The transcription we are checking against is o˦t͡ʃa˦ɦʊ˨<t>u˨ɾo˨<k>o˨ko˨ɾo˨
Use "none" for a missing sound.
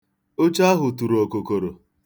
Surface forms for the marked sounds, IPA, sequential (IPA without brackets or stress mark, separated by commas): t, k